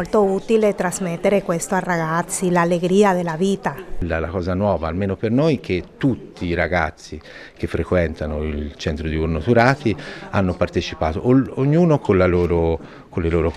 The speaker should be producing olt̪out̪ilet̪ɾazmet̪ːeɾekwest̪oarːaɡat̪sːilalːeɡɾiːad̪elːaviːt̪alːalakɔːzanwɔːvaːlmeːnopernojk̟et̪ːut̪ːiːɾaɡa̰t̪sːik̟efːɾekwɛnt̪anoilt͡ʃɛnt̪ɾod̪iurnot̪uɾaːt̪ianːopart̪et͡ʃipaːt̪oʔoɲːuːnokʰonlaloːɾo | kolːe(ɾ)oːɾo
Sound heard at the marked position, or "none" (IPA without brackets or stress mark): l